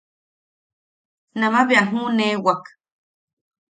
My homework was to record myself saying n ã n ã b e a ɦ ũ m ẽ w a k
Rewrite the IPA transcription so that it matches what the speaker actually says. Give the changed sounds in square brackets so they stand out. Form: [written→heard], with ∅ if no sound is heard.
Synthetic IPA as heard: n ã [n→m] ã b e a ɦ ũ [m→n] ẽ w a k